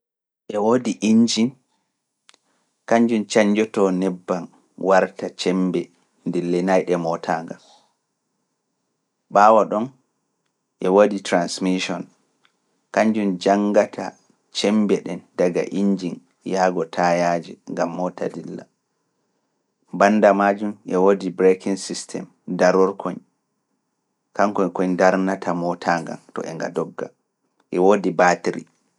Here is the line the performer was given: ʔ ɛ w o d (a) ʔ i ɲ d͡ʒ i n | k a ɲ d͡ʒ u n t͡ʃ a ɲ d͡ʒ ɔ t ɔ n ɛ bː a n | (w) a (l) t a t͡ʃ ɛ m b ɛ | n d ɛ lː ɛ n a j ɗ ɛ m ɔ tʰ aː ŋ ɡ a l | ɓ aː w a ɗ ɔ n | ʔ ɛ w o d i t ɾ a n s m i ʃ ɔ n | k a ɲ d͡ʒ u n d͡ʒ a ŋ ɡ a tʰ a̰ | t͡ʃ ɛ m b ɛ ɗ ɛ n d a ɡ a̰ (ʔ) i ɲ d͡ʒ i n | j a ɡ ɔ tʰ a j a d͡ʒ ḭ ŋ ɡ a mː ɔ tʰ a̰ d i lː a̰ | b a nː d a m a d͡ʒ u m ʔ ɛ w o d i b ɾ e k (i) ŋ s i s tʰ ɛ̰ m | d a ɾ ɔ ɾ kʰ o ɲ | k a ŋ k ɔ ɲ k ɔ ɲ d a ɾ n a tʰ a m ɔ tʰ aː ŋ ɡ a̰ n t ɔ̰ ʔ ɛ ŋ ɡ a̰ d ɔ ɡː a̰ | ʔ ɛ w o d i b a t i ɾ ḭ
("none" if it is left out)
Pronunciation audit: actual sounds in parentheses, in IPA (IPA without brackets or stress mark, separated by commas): i, w, ɾ, ʔ, i